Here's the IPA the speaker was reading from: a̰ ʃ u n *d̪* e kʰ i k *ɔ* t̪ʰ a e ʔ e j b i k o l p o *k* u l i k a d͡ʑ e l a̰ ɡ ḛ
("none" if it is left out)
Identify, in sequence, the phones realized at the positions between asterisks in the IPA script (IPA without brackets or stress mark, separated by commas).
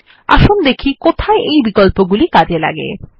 d̪, o, ɡ